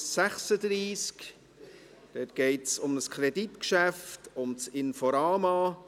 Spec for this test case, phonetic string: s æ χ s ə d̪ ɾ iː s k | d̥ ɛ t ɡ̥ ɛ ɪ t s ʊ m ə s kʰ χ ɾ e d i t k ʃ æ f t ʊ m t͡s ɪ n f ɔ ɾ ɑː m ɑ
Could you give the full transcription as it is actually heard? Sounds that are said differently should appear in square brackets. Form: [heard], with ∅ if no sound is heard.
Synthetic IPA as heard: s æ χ s ə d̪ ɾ iː s k | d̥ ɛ t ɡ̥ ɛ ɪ t s ʊ m ə s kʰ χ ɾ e d i t k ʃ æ f t ʊ m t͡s ɪ n f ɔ ɾ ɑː m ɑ